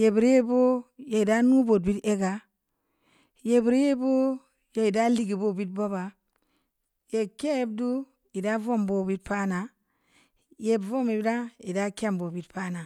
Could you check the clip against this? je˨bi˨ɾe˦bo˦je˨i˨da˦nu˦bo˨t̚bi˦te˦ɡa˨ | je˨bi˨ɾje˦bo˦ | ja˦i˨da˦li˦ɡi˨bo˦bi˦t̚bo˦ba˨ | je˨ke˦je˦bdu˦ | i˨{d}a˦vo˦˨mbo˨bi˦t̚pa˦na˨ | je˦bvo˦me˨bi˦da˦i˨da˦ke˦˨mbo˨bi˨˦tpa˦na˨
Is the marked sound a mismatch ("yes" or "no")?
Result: no